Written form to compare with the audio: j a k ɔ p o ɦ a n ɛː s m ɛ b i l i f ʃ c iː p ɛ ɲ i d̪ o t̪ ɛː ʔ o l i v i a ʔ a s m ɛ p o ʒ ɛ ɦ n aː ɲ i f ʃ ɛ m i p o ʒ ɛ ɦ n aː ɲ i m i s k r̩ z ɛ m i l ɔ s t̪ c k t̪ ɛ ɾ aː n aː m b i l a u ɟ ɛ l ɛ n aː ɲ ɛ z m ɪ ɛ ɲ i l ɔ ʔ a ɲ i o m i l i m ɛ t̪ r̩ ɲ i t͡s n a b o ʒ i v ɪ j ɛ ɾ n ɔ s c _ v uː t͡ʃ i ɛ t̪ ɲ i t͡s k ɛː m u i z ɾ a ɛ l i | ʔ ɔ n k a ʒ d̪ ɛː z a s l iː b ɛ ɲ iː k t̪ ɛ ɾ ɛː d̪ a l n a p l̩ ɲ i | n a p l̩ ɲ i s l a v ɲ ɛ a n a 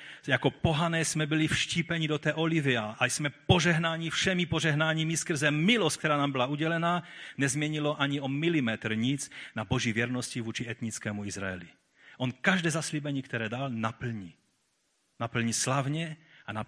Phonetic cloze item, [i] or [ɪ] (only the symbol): i